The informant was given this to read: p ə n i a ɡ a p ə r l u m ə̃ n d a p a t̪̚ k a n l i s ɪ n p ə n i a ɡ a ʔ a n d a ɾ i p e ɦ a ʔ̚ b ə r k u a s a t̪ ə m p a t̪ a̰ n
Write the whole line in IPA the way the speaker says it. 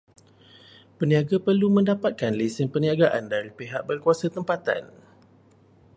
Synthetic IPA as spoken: p ə n i a ɡ a p ə r l u m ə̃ n d a p a t̪̚ k a n l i s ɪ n p ə n i a ɡ a ʔ a n d a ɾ i p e ɦ a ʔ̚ b ə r k u a s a t̪ ə m p a t̪ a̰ n